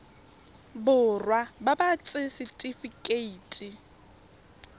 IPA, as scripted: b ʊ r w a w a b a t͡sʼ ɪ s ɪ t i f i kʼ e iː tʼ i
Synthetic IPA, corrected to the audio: b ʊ r w a b a b a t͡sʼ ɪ s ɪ tʼ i f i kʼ e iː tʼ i